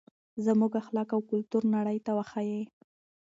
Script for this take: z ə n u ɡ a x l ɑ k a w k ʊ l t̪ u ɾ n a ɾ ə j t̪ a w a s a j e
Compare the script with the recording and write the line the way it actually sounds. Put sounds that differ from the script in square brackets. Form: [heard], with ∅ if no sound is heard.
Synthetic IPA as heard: z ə [m] u ɡ a x l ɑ k a w k ʊ l t̪ u ɾ n a [ɽ] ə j t̪ a w a [x] a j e